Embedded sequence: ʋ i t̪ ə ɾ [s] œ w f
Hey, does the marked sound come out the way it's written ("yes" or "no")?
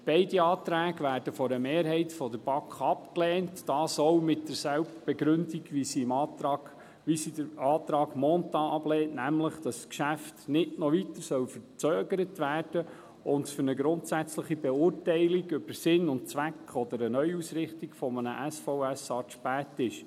yes